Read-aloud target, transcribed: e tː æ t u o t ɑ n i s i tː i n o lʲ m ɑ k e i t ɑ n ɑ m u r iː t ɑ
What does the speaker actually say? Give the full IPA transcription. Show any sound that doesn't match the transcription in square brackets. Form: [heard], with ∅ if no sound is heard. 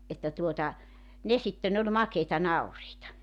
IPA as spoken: e tː æ t u o t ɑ n [e] s i tː [e] n o lʲ m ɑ k e i t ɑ n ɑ [∅] u r iː t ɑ